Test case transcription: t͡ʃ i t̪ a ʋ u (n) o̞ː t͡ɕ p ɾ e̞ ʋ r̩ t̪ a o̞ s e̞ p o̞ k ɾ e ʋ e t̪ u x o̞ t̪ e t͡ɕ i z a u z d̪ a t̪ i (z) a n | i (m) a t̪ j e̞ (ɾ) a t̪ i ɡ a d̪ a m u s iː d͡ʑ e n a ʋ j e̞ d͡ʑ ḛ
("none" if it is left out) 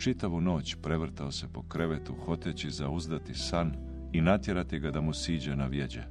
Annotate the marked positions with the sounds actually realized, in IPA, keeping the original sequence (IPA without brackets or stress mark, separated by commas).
n, s, n, ɾ